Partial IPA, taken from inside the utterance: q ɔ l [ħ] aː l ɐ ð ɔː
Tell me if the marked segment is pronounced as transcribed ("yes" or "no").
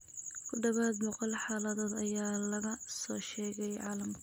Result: yes